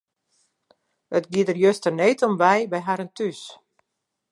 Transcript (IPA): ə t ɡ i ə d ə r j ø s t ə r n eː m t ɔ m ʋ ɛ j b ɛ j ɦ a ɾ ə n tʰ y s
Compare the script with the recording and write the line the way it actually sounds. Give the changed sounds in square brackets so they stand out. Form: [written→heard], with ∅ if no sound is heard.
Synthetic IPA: ə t ɡ i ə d ə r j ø s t ə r n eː [m→∅] t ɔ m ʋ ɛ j b ɛ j ɦ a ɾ ə n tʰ y s